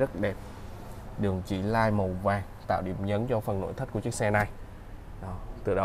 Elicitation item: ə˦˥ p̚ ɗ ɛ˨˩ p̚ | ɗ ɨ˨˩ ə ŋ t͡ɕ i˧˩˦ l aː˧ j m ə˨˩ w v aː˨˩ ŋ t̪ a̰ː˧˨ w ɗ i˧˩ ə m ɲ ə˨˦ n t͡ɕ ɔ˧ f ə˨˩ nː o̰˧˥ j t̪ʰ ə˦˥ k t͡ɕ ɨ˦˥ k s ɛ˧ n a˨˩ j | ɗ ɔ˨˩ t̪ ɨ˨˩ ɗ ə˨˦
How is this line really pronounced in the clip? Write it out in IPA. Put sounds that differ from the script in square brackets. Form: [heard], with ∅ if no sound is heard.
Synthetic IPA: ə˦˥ [t̚] ɗ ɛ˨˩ p̚ | ɗ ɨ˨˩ ə ŋ t͡ɕ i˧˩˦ l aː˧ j m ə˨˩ w v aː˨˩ ŋ t̪ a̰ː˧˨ w ɗ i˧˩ ə m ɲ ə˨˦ n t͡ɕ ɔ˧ f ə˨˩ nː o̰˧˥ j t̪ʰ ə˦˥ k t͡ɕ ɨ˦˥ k s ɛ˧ n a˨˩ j | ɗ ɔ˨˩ t̪ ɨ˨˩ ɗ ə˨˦